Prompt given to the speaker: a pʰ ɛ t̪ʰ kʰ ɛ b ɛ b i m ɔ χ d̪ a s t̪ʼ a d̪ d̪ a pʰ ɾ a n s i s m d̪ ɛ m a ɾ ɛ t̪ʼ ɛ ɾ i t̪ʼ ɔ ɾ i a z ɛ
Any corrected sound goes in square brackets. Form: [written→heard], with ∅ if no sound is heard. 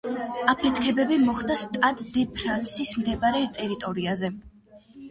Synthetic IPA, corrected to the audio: a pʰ ɛ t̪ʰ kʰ ɛ b ɛ b i m ɔ χ d̪ a s t̪ʼ a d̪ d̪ [a→ɛ] pʰ ɾ a n s i s m d̪ ɛ [m→b] a ɾ ɛ t̪ʼ ɛ ɾ i t̪ʼ ɔ ɾ i a z ɛ